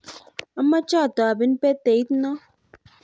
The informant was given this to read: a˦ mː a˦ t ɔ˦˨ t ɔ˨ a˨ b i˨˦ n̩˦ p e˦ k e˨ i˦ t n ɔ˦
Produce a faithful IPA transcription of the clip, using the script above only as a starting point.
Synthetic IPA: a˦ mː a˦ t͡ʃ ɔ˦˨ t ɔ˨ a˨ b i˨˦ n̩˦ p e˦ t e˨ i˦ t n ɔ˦